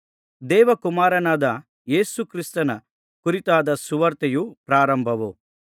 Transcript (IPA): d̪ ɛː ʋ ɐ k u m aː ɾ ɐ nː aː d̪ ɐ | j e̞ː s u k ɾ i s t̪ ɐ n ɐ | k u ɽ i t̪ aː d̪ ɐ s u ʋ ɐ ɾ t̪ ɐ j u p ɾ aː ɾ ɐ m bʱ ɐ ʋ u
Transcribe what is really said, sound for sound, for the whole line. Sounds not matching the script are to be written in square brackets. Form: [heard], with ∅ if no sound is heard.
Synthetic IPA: d̪ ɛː ʋ ɐ k u m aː ɾ ɐ [n] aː d̪ ɐ | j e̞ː s u k ɾ i s t̪ ɐ n ɐ | k u [ɾ] i t̪ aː d̪ ɐ s u ʋ ɐ ɾ t̪ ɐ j u p ɾ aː ɾ ɐ m bʱ ɐ ʋ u